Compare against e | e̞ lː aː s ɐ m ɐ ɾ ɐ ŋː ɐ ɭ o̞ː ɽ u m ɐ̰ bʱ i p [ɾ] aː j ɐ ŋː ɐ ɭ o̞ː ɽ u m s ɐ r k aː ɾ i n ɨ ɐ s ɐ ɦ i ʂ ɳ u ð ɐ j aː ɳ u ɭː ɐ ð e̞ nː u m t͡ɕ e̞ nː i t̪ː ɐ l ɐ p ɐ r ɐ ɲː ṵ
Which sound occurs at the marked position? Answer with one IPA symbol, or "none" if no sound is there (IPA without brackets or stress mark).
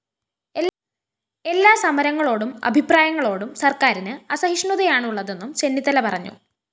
r